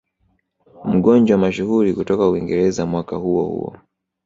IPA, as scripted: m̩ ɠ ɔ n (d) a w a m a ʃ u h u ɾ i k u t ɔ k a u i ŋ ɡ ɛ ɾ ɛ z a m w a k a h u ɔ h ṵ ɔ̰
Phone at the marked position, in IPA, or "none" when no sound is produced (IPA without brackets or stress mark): d͡ʒ